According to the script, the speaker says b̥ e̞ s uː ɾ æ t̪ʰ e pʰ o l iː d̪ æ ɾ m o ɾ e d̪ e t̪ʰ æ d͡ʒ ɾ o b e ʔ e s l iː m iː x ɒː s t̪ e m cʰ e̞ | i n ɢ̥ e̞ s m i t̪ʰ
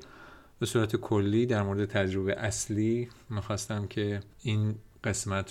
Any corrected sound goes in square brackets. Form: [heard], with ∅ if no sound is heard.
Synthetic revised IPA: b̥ e̞ s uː ɾ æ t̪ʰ e [kʰ] o [lː] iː d̪ æ ɾ m o ɾ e d̪ e t̪ʰ æ d͡ʒ ɾ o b e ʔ [æ] s l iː m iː x ɒː s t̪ [æ] m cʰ e̞ | i n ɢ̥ e̞ s m [æ] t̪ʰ